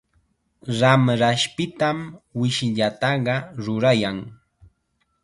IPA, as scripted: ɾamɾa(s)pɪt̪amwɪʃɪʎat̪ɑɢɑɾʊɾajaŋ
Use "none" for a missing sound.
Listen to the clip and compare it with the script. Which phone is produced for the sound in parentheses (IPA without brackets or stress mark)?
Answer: ʃ